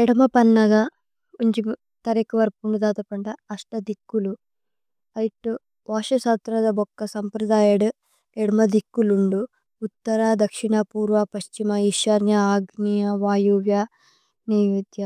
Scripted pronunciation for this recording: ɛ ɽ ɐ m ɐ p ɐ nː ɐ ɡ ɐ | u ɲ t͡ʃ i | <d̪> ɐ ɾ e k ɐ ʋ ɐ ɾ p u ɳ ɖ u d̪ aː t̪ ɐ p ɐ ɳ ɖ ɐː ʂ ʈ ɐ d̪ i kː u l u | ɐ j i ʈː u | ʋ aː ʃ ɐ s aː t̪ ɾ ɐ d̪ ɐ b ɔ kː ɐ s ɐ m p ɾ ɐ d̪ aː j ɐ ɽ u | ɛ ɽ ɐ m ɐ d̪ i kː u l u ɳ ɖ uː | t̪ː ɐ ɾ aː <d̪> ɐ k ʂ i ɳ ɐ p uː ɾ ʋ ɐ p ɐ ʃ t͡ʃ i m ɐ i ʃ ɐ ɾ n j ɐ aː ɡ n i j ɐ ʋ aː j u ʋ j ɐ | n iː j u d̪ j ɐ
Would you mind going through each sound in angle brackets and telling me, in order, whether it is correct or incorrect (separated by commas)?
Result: incorrect, correct